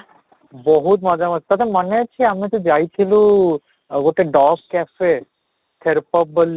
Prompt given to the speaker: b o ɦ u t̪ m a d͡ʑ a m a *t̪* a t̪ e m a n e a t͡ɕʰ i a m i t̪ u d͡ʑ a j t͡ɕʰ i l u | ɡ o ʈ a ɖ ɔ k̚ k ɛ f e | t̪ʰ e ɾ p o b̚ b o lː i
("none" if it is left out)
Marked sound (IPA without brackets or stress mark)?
t̪